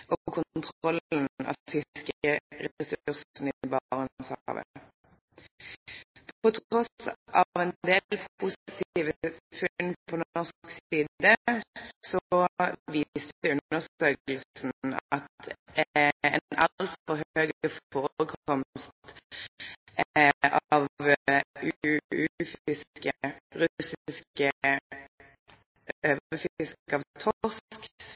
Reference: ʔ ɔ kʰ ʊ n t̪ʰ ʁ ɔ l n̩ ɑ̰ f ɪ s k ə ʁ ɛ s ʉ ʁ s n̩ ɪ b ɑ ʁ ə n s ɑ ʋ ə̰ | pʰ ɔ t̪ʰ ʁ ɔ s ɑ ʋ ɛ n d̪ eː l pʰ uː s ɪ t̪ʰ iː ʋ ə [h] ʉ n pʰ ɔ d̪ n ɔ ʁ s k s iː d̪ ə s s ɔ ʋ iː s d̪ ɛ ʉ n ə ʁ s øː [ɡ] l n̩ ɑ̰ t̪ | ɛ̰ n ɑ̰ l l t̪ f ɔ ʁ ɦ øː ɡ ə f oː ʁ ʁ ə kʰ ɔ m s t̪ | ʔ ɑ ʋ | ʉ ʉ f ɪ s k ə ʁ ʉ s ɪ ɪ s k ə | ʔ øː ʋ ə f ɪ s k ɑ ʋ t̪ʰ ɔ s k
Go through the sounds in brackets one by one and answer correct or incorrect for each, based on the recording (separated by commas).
incorrect, incorrect